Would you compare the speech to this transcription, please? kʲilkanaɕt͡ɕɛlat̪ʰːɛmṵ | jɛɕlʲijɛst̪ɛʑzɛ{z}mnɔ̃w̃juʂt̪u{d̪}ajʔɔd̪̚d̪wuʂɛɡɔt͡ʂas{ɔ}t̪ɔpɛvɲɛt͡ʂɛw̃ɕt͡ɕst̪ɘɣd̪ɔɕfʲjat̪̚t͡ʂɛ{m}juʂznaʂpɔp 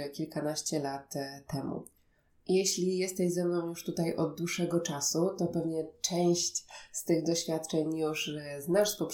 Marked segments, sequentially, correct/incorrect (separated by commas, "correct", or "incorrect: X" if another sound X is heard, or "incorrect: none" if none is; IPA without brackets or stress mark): incorrect: none, incorrect: t̪, incorrect: u, incorrect: ɲ